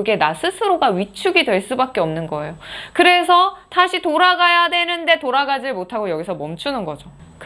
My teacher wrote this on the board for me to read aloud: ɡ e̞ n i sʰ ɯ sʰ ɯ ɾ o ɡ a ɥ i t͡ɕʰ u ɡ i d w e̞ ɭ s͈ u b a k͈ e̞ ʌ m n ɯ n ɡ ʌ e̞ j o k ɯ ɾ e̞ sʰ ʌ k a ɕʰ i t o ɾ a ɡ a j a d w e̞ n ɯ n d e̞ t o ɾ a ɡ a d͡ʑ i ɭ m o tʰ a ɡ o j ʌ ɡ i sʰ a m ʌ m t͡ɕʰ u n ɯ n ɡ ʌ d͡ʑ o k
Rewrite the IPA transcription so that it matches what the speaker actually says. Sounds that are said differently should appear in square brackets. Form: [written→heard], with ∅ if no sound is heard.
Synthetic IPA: ɡ e̞ n [i→a] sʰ ɯ sʰ ɯ ɾ o ɡ a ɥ i t͡ɕʰ u ɡ i d w e̞ ɭ s͈ u b a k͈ e̞ ʌ m n ɯ n ɡ ʌ e̞ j o k ɯ ɾ e̞ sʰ ʌ [k→t] a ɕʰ i t o ɾ a ɡ a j a d w e̞ n ɯ n d e̞ t o ɾ a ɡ a d͡ʑ i ɭ m o tʰ a ɡ o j ʌ ɡ i sʰ [a→ʌ] m ʌ m t͡ɕʰ u n ɯ n ɡ ʌ d͡ʑ o k